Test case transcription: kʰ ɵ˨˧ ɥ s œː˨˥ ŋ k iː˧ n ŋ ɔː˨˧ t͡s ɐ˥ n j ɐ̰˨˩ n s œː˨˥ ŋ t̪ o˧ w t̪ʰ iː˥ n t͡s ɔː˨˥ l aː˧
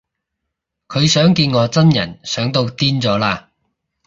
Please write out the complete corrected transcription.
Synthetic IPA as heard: kʰ ɵ˨˧ ɥ s œː˨˥ ŋ k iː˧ n ŋ ɔː˨˧ t͡s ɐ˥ n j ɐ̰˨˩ n s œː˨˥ ŋ t̪ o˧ w t̪ iː˥ n t͡s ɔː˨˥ l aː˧